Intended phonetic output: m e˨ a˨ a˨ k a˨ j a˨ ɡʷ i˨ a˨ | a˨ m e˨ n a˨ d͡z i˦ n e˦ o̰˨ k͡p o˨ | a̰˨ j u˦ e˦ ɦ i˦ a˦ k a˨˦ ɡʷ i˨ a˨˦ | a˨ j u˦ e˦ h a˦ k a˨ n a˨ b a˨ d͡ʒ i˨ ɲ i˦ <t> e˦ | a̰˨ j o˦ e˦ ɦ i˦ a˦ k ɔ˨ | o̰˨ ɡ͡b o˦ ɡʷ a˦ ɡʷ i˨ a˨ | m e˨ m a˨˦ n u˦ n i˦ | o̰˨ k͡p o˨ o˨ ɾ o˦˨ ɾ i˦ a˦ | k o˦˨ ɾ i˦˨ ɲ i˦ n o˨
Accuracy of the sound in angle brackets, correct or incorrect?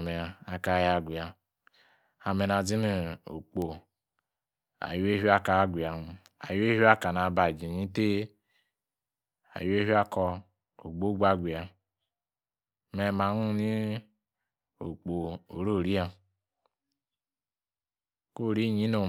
correct